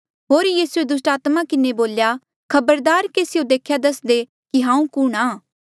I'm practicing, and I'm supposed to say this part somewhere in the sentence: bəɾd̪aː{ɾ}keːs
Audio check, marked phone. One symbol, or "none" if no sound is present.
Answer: ɾ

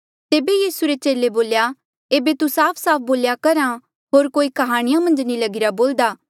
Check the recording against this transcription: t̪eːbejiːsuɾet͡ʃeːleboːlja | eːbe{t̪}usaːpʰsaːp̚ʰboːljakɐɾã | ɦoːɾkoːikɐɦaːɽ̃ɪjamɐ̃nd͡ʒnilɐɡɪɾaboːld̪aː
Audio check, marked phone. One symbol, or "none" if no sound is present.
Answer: t̪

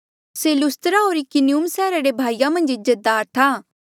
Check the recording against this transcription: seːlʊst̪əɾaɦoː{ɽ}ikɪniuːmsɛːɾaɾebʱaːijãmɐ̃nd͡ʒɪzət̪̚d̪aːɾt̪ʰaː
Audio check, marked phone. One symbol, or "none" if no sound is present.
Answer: ɾ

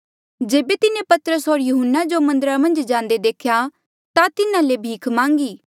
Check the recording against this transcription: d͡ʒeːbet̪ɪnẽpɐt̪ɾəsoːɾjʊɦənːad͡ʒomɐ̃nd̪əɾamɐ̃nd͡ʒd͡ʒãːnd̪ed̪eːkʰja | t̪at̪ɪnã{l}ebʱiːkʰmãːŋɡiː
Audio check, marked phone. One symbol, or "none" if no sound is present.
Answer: l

